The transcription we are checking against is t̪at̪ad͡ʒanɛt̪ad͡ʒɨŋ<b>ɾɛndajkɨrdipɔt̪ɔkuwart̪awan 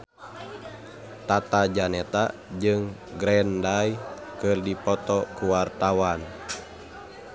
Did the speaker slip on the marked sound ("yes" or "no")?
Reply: yes